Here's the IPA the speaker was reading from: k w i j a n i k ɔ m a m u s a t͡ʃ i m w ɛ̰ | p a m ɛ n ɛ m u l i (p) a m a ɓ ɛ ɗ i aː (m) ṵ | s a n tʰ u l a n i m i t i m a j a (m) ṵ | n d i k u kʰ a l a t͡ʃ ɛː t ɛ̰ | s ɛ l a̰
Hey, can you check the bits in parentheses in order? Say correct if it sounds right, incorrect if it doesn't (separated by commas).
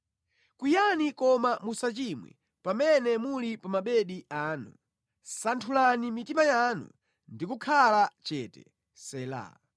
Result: correct, incorrect, incorrect